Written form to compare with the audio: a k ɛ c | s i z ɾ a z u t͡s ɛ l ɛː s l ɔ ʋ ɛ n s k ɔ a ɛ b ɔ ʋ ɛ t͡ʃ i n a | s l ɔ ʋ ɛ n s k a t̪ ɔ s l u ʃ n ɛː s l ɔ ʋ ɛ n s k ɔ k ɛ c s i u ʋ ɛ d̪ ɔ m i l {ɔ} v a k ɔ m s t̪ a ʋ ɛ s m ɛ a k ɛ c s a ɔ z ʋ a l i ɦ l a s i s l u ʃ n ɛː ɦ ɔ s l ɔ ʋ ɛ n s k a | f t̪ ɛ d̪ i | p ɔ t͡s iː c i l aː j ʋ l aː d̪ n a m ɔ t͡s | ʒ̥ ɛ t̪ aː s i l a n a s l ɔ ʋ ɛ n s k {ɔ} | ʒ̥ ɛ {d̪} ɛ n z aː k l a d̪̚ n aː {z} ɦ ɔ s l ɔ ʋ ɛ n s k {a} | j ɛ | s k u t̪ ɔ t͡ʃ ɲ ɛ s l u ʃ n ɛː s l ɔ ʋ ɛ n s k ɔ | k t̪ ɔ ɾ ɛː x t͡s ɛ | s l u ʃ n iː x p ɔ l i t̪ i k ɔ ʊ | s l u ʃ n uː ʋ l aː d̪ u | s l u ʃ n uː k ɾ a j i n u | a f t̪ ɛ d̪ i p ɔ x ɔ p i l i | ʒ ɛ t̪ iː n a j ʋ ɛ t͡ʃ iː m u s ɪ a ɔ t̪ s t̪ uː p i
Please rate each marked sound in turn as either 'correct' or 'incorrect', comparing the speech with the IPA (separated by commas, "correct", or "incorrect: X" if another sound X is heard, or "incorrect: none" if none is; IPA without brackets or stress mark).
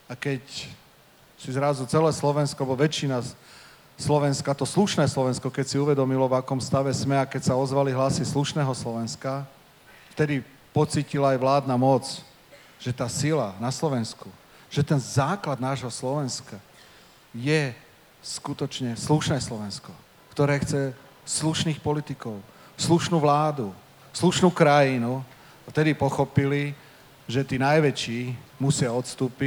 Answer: correct, incorrect: u, incorrect: t̪, incorrect: ʒ, correct